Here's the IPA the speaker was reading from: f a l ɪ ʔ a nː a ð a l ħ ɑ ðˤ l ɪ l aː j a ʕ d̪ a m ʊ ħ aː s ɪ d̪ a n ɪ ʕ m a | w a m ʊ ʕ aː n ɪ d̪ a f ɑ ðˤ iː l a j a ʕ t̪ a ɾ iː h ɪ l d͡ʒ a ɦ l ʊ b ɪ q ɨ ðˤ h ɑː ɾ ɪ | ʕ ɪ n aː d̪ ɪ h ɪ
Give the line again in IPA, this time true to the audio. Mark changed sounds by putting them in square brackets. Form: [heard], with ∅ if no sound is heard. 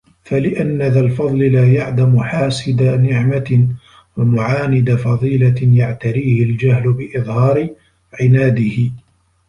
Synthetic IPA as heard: f a l ɪ ʔ a nː a ð a l [f] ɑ ðˤ l ɪ l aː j a ʕ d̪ a m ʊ ħ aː s ɪ d̪ a n ɪ ʕ m a | w a m ʊ ʕ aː n ɪ d̪ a f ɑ ðˤ iː l a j a ʕ t̪ a ɾ iː h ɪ l d͡ʒ a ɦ l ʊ b ɪ [ʔ] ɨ ðˤ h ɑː ɾ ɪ | ʕ ɪ n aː d̪ ɪ h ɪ